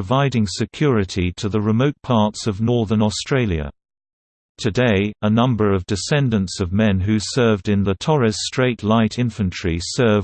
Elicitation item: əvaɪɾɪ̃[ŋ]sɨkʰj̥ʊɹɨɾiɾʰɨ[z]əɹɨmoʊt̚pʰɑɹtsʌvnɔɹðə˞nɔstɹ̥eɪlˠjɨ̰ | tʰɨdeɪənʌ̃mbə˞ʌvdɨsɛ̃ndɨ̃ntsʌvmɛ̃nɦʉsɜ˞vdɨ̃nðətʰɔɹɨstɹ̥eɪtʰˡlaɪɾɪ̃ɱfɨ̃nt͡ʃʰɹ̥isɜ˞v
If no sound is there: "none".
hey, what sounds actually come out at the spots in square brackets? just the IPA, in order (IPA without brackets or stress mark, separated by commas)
ŋ, ð